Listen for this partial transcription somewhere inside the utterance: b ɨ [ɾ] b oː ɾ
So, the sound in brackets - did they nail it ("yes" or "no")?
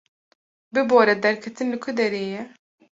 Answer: no